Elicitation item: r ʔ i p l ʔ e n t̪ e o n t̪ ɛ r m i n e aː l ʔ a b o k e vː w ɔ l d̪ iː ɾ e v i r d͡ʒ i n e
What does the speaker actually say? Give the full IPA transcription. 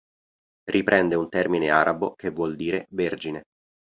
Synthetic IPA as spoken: r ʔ i p ɾ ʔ ɛ n d̪ e u n t̪ ɛ r m i n e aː ɾ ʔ a b o k e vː w ɔ l d̪ iː ɾ e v e r d͡ʒ i n e